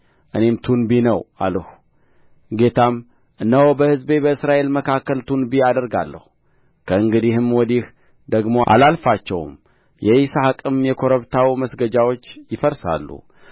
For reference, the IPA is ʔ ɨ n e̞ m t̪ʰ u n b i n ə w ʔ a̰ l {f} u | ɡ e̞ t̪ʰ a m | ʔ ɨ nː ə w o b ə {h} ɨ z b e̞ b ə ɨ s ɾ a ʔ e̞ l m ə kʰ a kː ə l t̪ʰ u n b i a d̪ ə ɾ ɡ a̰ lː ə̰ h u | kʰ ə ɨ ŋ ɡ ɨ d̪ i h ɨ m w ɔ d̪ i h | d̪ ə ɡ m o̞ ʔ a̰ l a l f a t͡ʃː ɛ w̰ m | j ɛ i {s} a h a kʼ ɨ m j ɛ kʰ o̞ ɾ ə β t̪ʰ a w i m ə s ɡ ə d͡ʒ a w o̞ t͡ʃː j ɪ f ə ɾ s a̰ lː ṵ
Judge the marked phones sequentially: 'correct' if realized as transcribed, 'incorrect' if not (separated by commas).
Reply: incorrect, correct, correct